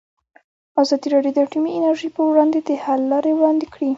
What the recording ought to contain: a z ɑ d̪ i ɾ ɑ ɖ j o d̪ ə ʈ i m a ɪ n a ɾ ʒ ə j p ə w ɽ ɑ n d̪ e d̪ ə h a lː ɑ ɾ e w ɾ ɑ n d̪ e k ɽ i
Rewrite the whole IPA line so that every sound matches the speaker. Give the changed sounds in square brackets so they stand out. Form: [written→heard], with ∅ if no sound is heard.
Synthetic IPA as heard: a z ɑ d̪ i ɾ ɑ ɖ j o d̪ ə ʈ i m [a→i] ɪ n a ɾ ʒ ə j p ə w ɽ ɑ n d̪ e d̪ ə h a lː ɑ ɾ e w [ɾ→ɽ] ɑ n d̪ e k ɽ i